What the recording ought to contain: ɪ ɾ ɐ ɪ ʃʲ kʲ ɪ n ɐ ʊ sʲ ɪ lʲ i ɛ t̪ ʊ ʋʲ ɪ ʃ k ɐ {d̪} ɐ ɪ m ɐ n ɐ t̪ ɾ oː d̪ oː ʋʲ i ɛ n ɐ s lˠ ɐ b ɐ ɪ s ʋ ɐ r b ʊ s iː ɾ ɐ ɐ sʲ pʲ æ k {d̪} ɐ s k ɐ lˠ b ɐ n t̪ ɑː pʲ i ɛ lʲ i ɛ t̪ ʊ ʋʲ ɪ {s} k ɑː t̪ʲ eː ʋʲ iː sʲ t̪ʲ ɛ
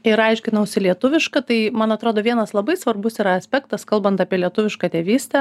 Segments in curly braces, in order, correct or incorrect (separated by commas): incorrect, incorrect, incorrect